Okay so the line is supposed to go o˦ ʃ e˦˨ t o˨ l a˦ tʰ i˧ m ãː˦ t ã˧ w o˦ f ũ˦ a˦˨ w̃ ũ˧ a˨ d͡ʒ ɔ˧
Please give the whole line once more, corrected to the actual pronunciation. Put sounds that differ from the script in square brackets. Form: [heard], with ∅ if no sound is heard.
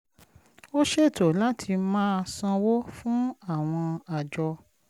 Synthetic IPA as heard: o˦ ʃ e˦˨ t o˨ l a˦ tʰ i˧ m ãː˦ [s] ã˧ w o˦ f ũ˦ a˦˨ w̃ [ɔ̃˧] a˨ d͡ʒ ɔ˧